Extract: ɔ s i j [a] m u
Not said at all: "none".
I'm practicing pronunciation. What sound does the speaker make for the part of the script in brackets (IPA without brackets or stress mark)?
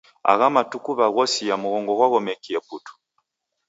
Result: a